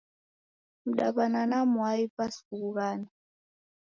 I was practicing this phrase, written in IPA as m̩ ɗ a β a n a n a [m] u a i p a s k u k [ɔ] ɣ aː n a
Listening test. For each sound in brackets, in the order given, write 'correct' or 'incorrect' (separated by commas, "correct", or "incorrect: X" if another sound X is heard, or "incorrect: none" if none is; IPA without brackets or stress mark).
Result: correct, incorrect: u